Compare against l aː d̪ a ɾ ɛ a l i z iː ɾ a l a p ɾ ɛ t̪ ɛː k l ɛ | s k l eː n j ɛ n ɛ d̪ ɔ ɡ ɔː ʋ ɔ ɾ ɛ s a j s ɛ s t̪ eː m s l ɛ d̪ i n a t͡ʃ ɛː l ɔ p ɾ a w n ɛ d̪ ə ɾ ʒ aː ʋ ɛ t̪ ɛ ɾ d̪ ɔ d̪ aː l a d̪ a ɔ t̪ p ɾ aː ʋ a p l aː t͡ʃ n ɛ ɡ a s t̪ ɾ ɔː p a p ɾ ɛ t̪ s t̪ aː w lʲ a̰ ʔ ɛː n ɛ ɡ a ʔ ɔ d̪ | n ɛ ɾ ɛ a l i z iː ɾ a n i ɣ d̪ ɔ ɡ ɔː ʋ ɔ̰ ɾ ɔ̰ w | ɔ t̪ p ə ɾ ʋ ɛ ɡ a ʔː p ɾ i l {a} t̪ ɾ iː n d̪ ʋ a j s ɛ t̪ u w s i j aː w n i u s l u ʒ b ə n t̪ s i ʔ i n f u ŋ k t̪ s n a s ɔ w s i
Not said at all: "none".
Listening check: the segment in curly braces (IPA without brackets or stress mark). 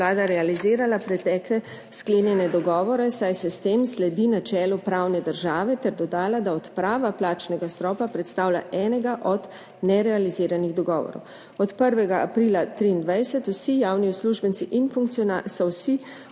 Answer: a